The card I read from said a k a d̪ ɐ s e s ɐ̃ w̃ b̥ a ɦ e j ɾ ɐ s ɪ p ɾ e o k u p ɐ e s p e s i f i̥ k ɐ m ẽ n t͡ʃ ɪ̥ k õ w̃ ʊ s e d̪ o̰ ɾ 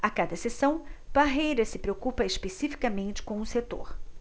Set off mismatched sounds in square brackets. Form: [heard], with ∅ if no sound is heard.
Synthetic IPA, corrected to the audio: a k a d̪ ɐ s e s ɐ̃ w̃ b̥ a ɦ e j ɾ ɐ s ɪ p ɾ e o k u p ɐ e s p e s i f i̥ k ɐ m ẽ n t͡ʃ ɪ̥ k õ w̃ ʊ s e [t̪] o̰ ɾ